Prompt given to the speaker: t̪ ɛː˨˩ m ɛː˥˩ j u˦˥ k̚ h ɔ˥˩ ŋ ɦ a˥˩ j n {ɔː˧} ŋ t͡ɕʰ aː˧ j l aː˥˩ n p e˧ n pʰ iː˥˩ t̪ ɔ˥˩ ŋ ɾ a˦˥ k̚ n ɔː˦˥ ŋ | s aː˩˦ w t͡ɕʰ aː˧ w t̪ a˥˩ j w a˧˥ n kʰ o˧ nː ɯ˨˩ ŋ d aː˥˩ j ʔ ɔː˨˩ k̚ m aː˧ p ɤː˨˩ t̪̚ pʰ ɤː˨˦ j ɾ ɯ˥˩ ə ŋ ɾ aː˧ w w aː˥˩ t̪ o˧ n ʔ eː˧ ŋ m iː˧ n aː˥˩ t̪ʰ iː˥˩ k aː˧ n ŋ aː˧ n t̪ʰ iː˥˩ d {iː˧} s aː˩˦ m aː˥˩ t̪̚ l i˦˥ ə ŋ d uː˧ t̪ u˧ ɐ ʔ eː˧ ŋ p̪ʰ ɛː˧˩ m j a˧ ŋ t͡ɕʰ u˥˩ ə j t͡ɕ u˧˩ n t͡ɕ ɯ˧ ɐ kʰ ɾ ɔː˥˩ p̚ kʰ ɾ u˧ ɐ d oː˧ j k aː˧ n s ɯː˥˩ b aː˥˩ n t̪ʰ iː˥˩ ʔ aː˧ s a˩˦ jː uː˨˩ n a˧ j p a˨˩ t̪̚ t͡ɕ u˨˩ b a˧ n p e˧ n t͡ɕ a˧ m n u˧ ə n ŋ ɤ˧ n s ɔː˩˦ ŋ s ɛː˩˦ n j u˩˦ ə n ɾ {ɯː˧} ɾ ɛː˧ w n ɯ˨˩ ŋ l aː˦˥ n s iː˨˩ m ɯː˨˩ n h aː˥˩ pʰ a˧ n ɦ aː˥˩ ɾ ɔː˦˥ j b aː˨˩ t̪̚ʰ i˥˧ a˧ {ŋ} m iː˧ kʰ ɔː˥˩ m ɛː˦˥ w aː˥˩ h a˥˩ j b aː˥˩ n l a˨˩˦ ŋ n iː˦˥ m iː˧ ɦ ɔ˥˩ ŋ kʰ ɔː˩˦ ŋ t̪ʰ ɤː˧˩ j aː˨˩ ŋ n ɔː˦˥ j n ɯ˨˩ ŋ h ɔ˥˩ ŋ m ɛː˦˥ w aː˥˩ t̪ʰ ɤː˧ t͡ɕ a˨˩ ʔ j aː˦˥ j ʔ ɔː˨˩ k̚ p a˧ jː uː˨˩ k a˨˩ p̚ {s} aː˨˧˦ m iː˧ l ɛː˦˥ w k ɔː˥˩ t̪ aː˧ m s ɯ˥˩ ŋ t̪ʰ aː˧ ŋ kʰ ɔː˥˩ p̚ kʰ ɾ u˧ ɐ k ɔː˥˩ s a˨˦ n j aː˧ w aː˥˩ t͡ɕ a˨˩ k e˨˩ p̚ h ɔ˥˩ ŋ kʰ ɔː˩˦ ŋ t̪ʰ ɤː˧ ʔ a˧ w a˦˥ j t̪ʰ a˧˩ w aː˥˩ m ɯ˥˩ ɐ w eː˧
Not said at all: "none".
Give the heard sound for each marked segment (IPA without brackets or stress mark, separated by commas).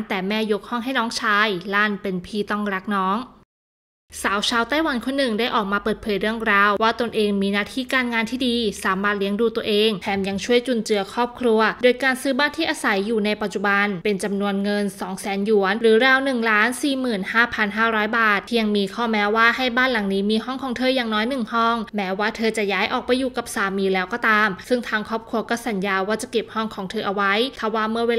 ɔː˦˥, iː˧, ɯː˩˦, ŋ, s